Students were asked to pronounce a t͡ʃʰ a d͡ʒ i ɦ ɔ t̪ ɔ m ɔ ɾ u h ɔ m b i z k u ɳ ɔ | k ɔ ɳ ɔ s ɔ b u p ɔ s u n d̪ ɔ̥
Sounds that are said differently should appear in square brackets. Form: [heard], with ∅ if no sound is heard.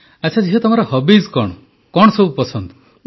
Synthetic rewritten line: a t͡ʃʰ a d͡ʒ i ɦ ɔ t̪ ɔ m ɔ ɾ [ɔ] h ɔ [∅] b i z k [ɔ] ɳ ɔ | k ɔ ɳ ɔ s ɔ b u p ɔ s [ɔ] n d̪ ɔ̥